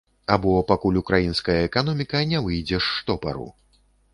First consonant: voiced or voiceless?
voiced